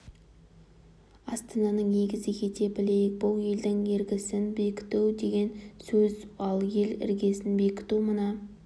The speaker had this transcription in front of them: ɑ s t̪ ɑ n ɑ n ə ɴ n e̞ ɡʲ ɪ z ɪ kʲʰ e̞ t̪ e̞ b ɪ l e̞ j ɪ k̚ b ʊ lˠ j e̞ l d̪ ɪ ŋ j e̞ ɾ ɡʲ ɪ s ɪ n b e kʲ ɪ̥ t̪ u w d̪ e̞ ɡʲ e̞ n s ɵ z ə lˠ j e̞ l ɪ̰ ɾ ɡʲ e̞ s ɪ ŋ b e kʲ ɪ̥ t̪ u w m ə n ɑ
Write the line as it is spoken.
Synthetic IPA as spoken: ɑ s t̪ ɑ n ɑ n ə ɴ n e̞ ɡʲ ɪ z ɪ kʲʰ e̞ t̪ e̞ b ɪ l e̞ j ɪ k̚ b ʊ lˠ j e̞ l d̪ ɪ ŋ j e̞ ɾ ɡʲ ɪ s ɪ n b e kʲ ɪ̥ t̪ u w d̪ e̞ ɡʲ e̞ n s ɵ z ɑ lˠ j e̞ l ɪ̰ ɾ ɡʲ e̞ s ɪ n b e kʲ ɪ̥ t̪ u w m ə n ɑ